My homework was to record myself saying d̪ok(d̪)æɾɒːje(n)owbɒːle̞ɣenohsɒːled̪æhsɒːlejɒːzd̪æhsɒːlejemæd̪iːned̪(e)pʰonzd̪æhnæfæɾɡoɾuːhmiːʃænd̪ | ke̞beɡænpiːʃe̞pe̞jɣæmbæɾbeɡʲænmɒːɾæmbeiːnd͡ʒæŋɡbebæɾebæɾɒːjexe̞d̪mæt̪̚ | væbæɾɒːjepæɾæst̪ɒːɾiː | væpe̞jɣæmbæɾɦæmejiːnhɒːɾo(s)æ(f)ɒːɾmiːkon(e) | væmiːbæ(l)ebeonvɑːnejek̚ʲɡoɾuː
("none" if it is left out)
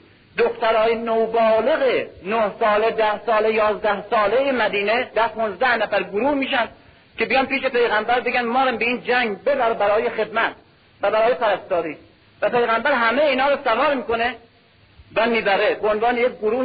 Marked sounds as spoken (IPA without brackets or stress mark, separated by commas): t̪, n, æ, s, v, e, ɾ